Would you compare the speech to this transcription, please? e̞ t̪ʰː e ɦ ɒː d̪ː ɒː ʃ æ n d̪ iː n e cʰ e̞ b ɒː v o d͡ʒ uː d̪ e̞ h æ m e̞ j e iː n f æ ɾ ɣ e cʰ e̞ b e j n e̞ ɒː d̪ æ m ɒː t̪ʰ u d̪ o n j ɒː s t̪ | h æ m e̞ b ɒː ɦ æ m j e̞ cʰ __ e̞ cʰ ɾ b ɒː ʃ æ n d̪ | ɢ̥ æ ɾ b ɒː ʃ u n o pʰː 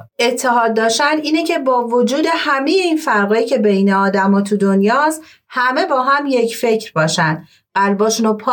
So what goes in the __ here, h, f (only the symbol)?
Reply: f